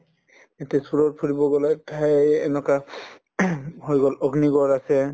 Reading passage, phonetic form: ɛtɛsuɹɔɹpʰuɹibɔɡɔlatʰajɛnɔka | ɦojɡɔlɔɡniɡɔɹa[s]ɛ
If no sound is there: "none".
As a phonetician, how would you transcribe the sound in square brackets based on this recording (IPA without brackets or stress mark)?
s